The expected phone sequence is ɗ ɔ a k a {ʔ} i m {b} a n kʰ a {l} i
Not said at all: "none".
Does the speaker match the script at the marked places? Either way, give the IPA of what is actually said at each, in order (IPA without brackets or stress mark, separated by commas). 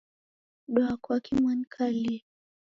k, w, l